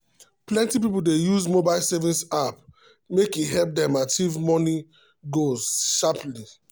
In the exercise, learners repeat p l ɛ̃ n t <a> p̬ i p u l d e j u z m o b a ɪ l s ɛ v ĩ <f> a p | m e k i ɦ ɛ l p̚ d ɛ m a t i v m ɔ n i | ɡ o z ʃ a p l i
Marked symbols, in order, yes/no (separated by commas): no, no